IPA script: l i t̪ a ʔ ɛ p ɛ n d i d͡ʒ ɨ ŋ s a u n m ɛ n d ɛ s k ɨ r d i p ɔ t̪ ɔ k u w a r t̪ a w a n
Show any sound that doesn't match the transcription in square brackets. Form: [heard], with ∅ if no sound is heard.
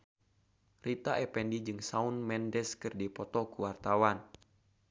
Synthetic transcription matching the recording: [r] i t̪ a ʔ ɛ p ɛ n d i d͡ʒ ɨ ŋ s a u n m ɛ n d ɛ s k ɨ r d i p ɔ t̪ ɔ k u w a r t̪ a w a n